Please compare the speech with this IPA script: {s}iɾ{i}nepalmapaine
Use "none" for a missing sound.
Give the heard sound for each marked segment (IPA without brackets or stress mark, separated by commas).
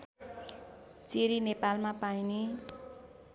t͡s, i